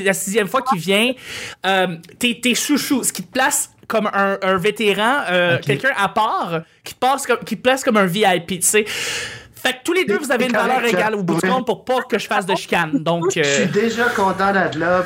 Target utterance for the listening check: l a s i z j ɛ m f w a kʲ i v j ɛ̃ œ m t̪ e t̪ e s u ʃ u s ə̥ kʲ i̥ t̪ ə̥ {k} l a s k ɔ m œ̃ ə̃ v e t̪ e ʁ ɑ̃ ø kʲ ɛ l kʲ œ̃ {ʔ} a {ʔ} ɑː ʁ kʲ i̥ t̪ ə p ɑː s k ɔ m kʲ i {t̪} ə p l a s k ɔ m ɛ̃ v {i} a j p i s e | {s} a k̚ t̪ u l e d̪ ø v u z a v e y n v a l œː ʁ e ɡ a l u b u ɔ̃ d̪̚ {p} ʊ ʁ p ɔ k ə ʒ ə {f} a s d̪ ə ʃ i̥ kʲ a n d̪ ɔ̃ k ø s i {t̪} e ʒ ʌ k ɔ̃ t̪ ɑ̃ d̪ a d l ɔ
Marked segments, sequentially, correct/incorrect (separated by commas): incorrect, correct, incorrect, correct, correct, incorrect, correct, correct, incorrect